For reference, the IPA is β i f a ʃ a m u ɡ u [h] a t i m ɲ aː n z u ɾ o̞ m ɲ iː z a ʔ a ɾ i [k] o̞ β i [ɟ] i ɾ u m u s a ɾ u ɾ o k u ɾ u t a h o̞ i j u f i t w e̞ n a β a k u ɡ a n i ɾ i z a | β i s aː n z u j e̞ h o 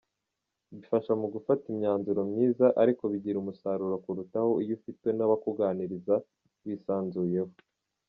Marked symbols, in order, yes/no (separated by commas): no, yes, yes